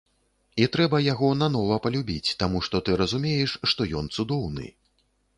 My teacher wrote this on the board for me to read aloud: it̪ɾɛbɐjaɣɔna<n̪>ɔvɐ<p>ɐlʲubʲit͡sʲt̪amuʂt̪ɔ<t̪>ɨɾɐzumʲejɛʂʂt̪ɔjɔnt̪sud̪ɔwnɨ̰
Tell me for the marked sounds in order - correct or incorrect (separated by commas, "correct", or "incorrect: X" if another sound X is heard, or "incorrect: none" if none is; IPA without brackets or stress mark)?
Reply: correct, correct, correct